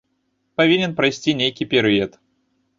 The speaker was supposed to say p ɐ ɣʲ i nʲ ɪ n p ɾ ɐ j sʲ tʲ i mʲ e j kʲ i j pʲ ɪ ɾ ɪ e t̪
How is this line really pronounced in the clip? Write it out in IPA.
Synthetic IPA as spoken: p ɐ vʲ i nʲ ɪ n p ɾ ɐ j sʲ tʲ i nʲ e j kʲ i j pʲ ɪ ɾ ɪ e t̪